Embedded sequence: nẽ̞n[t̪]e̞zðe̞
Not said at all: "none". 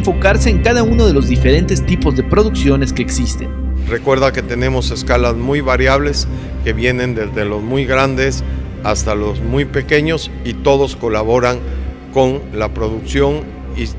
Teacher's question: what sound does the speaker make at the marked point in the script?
d̪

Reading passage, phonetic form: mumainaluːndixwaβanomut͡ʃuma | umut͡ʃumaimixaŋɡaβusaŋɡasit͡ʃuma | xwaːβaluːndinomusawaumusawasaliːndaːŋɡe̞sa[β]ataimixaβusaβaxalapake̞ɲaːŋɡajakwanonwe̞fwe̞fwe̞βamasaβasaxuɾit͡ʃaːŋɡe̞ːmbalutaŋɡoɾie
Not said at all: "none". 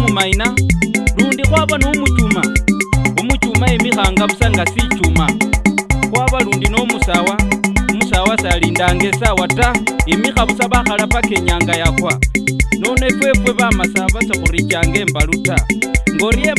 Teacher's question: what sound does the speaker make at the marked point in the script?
w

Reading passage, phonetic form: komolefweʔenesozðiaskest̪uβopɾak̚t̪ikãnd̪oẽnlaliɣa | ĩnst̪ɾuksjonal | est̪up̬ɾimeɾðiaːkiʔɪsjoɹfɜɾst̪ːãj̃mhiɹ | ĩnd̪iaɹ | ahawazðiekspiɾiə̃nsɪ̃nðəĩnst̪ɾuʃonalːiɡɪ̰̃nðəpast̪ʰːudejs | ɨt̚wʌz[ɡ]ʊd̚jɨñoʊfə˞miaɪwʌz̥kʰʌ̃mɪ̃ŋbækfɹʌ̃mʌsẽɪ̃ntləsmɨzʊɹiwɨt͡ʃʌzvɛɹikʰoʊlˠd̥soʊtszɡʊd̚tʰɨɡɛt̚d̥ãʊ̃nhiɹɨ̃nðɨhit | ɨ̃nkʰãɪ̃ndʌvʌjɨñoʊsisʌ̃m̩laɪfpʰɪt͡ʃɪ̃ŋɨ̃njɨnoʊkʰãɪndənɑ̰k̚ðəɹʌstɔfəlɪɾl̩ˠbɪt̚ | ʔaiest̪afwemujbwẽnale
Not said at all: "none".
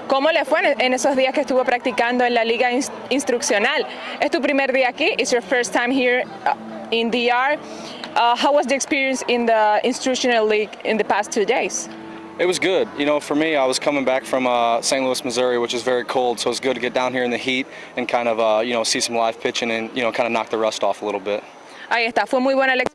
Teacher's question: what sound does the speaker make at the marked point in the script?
ɡ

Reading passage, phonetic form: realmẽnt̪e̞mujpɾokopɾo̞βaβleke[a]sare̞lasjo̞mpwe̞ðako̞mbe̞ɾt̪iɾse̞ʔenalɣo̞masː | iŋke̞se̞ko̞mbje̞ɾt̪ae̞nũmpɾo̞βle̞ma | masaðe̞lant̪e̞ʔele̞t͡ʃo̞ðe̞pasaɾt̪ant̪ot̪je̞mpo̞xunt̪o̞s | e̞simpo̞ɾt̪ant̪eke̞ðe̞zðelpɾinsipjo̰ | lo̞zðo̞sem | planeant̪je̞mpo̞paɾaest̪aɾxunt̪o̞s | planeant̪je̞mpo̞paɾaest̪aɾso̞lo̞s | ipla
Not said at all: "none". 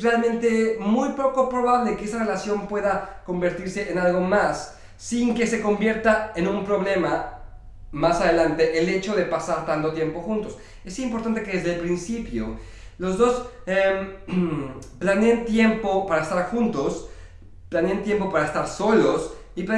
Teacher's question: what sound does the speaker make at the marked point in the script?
e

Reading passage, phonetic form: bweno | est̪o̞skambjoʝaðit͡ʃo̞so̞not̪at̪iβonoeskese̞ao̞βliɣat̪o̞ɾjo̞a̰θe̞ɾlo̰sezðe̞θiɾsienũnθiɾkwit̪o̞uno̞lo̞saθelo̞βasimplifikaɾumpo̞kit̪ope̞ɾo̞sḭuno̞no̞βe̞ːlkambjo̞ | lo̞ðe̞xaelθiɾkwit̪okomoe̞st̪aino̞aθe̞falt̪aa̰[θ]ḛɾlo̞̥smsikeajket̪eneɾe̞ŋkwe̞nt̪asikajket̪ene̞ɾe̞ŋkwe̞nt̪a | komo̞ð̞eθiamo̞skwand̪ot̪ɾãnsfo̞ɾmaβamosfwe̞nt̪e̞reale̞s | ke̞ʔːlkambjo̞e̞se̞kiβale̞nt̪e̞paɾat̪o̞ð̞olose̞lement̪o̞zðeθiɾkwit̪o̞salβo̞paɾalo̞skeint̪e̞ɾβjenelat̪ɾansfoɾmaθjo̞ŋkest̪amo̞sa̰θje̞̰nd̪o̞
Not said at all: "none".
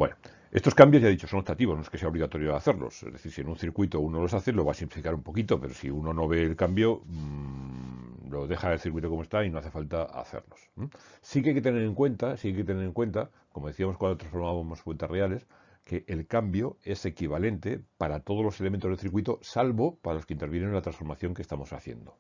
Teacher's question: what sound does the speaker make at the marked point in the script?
θ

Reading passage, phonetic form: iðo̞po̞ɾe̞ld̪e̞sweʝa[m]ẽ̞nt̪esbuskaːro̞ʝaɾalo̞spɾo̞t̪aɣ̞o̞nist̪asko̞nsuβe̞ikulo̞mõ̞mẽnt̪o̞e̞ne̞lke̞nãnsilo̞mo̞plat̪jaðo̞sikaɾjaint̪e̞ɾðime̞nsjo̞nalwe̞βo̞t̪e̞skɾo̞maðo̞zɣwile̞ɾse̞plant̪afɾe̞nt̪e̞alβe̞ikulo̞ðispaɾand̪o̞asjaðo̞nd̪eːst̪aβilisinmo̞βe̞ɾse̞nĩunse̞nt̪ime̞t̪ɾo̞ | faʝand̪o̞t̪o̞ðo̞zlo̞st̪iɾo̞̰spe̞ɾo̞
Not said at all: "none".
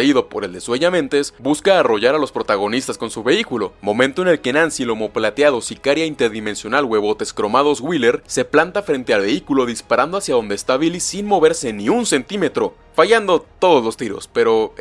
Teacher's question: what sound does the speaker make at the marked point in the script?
m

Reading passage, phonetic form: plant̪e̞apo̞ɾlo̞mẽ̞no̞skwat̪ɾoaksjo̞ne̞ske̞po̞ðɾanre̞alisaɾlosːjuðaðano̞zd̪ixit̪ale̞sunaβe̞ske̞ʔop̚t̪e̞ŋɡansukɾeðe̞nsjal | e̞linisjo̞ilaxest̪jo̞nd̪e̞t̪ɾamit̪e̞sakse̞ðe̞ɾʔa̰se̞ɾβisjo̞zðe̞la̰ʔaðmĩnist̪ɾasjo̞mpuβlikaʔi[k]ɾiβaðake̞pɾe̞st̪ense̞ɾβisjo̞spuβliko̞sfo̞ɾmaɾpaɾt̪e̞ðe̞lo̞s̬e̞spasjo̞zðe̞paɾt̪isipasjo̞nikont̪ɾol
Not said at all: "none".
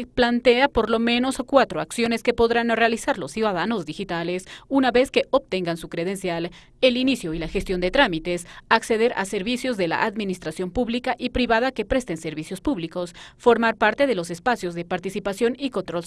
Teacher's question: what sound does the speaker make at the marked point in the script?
p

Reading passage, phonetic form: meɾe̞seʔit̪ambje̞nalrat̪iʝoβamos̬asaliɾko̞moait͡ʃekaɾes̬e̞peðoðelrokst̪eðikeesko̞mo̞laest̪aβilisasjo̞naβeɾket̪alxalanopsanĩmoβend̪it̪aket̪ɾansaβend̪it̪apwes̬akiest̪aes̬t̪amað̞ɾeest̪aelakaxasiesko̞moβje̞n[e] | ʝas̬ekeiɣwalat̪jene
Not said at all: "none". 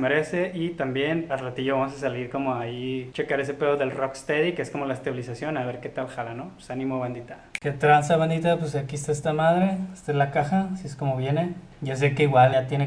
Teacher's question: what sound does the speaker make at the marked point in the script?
e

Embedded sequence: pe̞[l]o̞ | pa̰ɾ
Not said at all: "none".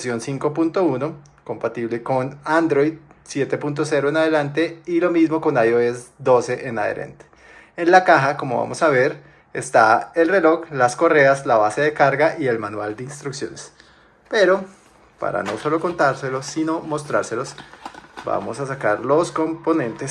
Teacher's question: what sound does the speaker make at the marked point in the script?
ɾ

